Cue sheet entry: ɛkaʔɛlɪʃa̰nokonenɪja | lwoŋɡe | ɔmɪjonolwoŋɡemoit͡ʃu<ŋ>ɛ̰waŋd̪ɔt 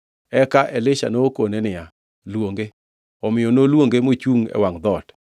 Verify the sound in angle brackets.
correct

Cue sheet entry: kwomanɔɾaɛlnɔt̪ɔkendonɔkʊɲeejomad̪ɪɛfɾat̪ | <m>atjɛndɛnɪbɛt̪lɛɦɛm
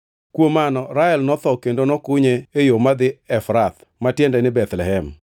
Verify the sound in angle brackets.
correct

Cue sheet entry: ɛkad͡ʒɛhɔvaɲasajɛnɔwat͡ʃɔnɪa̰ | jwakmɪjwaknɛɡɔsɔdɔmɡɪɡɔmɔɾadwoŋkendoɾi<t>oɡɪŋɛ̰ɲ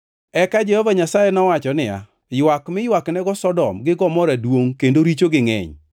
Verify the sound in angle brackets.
incorrect: t͡ʃ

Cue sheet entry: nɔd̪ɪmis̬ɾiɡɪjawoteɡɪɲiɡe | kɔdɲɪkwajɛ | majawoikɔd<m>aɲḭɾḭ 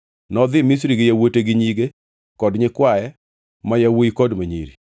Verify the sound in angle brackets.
correct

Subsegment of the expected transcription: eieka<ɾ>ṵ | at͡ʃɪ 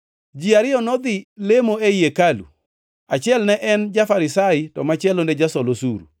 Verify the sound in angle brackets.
incorrect: l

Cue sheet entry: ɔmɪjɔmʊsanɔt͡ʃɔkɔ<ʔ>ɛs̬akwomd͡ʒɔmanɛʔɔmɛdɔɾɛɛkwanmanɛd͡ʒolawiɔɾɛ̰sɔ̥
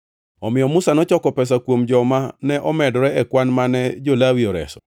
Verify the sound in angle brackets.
incorrect: p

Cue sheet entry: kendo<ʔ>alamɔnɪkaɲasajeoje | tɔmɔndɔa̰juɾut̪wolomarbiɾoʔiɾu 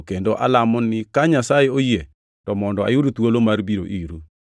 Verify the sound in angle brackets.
correct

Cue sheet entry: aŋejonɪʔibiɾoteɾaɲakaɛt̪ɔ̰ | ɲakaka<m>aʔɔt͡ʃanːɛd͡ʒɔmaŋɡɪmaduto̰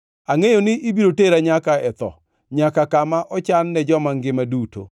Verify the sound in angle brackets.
correct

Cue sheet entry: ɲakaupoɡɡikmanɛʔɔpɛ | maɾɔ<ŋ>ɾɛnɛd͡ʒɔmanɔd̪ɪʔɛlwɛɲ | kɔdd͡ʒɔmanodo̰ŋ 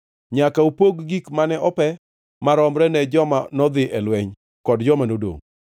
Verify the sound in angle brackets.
incorrect: m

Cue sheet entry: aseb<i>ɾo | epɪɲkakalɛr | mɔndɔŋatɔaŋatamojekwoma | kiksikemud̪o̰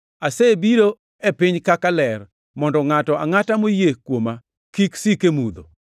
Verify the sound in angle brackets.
correct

